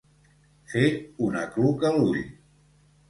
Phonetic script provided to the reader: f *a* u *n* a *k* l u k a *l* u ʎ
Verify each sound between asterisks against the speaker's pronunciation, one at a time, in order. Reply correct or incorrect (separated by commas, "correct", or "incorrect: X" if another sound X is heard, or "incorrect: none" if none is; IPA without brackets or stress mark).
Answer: incorrect: e, correct, correct, correct